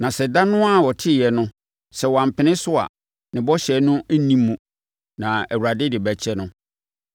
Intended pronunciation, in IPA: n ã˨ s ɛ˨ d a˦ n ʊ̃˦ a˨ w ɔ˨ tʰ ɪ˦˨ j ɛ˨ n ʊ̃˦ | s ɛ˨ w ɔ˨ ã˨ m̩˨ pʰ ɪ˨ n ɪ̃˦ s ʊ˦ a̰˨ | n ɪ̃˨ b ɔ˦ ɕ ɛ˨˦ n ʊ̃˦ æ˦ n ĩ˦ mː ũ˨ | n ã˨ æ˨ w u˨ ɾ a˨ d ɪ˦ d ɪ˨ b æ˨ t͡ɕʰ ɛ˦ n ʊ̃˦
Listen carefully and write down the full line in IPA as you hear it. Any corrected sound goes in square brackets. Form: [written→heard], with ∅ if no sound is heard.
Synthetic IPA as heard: n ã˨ s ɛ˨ d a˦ n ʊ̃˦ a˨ w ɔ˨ tʰ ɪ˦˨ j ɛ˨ n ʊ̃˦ | s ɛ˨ w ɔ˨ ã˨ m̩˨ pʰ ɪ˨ n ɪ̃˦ s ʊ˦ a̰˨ | n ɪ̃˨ b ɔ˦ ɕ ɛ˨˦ n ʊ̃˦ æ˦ n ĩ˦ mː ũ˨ | n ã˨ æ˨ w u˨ ɾ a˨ d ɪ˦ d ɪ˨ b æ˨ t͡ɕʰ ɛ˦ n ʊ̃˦